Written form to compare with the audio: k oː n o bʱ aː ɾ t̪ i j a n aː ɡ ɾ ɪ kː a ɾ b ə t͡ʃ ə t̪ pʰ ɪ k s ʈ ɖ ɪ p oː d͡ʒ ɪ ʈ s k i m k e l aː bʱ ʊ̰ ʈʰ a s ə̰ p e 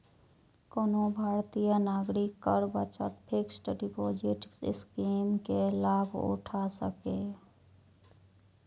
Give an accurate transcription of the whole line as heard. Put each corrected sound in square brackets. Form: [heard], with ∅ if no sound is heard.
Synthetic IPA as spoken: k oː n o bʱ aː ɾ t̪ i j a n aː ɡ ɾ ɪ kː [ə] ɾ b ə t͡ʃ ə t̪ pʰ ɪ k s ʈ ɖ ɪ p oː d͡ʒ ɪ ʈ s k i m k e l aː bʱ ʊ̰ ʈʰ a s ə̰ [k] e